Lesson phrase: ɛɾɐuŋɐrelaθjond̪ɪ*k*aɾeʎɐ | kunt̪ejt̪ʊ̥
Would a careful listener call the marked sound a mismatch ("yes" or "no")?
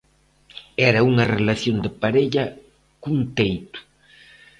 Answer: yes